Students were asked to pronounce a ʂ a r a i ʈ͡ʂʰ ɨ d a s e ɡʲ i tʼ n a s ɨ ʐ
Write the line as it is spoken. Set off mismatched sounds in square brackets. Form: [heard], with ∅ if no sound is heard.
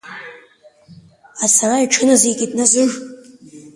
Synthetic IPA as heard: a [s] a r a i ʈ͡ʂʰ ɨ [n] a [z] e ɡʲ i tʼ n a [z] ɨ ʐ